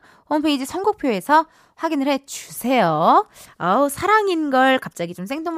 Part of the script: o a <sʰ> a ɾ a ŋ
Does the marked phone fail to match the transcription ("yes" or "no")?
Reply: no